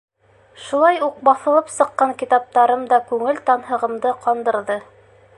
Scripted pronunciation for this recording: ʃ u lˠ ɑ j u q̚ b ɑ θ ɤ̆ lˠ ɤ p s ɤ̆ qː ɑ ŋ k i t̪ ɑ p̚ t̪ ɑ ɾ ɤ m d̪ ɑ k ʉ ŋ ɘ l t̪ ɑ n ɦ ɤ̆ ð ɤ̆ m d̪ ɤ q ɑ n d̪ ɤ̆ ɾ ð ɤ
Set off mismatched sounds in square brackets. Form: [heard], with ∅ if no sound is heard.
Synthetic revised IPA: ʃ u lˠ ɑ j u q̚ b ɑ θ ɤ̆ lˠ ɤ p s ɤ̆ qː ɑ ŋ k i t̪ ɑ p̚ t̪ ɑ ɾ ɤ m d̪ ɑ k ʉ ŋ ɘ l t̪ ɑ n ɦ ɤ̆ [ʁ] ɤ̆ m d̪ ɤ q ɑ n d̪ ɤ̆ ɾ ð ɤ